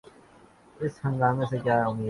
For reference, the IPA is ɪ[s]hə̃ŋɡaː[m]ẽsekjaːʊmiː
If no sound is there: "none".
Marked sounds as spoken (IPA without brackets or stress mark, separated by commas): s, m